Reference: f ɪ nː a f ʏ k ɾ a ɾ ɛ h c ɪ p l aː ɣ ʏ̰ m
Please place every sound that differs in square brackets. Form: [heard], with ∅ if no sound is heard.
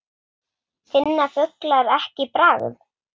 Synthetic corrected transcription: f ɪ nː a f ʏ k [l] a ɾ ɛ h c ɪ p [ɾ] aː ɣ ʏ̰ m

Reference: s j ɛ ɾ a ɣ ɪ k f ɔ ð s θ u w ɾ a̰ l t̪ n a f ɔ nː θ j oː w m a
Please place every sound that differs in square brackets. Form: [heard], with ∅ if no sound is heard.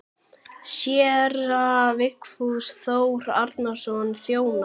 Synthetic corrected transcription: s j ɛ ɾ a [v] ɪ k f [u] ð s θ [o] w ɾ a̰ [ɾ] t̪ n a [s] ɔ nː θ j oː w [n] a

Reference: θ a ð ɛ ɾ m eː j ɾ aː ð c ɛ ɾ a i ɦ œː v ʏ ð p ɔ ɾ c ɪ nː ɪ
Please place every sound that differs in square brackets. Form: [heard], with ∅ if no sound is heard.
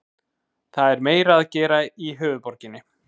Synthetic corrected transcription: θ a ð ɛ ɾ m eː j ɾ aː ð c [ɛː] ɾ a i ɦ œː v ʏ ð p ɔ ɾ c ɪ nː ɪ

